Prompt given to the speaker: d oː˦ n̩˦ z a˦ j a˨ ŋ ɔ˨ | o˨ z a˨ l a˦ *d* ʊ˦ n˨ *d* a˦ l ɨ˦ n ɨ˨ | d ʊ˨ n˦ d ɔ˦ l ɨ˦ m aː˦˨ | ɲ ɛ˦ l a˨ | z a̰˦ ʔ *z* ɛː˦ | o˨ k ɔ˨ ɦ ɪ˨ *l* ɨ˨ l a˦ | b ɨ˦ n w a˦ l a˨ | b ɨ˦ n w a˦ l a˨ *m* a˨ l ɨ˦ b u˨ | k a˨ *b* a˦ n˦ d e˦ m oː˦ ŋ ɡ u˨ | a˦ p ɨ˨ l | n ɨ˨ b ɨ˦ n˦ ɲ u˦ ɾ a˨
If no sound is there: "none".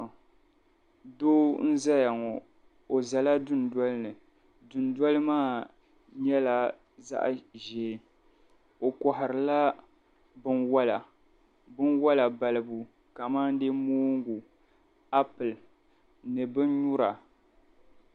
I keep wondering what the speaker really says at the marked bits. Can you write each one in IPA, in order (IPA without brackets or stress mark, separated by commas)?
d, d, ʒ, ɾ, b, m